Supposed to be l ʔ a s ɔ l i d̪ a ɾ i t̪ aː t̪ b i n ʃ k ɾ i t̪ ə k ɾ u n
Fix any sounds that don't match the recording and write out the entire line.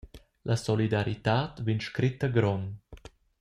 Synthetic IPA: l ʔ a s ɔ l i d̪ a ɾ i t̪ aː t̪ v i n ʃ k ɾ i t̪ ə ɡ ɾ ɔ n